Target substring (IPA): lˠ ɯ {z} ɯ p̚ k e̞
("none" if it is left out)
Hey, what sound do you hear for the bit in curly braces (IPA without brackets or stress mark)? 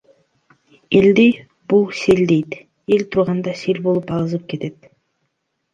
z